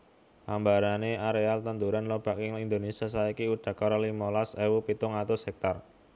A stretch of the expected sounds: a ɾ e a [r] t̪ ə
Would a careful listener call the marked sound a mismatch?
yes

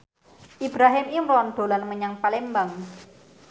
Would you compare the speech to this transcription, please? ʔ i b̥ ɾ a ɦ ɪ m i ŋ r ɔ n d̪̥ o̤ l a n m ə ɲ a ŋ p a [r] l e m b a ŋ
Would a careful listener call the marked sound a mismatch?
yes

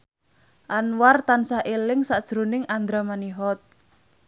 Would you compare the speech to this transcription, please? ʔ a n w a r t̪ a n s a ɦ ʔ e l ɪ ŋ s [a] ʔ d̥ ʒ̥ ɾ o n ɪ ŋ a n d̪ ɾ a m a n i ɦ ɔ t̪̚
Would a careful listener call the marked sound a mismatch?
no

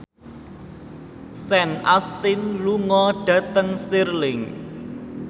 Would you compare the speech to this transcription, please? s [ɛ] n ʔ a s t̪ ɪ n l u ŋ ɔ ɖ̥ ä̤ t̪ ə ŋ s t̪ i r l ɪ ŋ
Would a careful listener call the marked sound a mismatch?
no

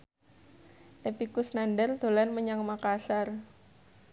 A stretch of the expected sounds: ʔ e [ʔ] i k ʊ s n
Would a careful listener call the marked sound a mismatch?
yes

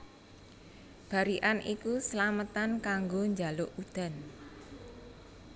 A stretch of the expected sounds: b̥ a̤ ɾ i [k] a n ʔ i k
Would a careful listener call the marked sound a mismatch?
yes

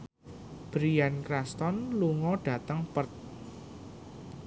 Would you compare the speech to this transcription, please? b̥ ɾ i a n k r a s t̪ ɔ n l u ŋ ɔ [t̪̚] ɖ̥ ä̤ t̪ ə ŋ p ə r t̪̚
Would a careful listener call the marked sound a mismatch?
yes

